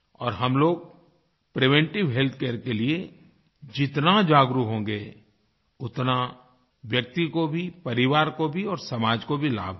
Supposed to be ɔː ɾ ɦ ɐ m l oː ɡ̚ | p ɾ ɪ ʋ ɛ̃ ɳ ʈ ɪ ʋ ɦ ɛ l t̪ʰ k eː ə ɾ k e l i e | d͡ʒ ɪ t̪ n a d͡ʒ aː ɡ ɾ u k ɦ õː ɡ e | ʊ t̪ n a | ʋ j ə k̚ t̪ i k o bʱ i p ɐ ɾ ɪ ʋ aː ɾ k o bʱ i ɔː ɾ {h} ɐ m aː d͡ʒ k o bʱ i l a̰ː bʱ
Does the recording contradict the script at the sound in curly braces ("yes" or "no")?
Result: yes